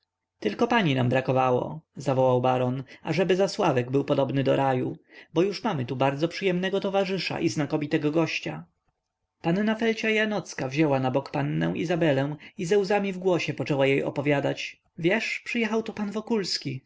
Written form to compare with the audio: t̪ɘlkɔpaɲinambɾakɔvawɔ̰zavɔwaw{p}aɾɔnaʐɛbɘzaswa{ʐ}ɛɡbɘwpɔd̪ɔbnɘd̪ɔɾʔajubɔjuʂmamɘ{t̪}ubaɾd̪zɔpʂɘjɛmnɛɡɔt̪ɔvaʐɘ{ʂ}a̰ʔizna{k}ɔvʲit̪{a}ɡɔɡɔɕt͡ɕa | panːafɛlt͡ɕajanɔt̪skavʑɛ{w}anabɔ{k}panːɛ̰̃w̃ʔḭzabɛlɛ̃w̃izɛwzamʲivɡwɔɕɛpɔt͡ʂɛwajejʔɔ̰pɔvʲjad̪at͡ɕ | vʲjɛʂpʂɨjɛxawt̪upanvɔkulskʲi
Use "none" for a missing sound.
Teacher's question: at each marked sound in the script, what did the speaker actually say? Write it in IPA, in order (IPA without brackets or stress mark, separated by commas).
b, v, t̪, ʂ, k, ɛ, w, k